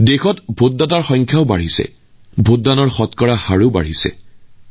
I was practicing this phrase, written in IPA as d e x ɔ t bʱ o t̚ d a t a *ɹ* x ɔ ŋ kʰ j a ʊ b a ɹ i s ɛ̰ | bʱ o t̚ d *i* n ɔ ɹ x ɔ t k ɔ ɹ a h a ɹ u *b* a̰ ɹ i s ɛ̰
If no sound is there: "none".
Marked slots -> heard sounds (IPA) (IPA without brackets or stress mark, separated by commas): ɹ, a, b